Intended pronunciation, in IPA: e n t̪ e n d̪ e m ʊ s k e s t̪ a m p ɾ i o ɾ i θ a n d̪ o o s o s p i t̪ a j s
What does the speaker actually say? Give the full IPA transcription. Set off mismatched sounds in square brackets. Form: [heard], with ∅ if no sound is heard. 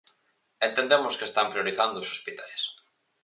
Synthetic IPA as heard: e n t̪ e n d̪ e m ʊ s k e s t̪ a m p ɾ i o ɾ i θ a n d̪ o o s o s p i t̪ a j s